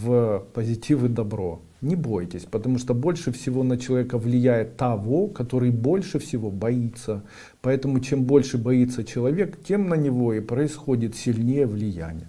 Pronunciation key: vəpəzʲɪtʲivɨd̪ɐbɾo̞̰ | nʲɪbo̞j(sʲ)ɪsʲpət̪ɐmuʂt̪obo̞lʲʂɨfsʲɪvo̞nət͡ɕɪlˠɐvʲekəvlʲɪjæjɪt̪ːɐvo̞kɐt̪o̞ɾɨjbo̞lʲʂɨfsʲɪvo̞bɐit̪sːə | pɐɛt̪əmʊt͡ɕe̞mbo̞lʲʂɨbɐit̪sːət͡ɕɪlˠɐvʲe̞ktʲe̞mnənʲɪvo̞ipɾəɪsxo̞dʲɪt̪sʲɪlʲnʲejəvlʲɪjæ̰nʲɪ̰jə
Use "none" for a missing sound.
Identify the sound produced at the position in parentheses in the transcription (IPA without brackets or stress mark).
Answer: tʲ